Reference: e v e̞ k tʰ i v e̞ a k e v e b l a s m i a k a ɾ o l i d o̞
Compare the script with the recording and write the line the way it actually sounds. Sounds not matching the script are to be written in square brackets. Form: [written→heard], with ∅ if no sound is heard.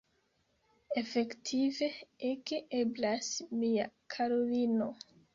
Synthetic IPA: e [v→f] e̞ k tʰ i v e̞ [a→e] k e [v→∅] e b l a s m i a [k→kʰ] a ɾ o l i [d→n] o̞